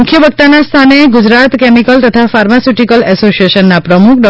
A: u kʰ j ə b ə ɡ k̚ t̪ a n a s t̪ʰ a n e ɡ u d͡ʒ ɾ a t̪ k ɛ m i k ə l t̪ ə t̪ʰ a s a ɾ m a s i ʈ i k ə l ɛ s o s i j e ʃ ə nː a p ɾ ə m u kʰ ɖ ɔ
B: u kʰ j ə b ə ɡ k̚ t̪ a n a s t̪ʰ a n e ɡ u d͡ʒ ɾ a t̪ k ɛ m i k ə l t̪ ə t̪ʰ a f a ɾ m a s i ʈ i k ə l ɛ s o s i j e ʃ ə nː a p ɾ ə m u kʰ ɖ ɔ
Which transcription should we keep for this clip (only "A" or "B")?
B